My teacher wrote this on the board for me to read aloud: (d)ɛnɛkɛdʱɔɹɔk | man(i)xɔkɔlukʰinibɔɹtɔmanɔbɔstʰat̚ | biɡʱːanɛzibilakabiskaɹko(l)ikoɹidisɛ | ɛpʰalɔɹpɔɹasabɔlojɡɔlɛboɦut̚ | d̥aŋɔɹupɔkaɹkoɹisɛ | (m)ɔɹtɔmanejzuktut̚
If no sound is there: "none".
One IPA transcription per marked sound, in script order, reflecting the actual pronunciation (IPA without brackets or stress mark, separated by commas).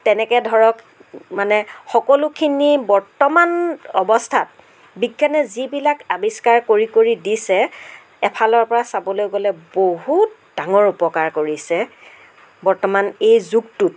t, ɛ, ɹ, b